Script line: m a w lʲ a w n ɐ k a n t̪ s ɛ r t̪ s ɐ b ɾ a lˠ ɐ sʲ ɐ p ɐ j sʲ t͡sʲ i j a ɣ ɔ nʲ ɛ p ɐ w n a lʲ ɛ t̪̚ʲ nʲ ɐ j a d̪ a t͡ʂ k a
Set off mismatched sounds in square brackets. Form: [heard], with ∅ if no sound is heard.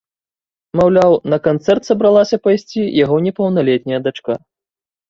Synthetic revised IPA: m a w lʲ a w n ɐ k a n t̪ s ɛ r t̪ s ɐ b ɾ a lˠ [a] sʲ ɐ p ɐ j sʲ t͡sʲ i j a ɣ ɔ nʲ ɛ p ɐ w n a lʲ ɛ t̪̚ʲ nʲ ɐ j [ɐ] d̪ a t͡ʂ k a